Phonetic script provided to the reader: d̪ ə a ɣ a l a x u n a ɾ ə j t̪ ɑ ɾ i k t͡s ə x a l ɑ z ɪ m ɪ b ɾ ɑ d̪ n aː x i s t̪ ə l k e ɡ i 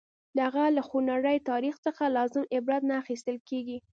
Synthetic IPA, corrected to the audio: d̪ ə a ɣ a l a x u n a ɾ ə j t̪ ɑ ɾ i x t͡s ə x a l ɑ z ɪ m ɪ b ɾ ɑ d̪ n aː x i s t̪ ə l k e ɡ i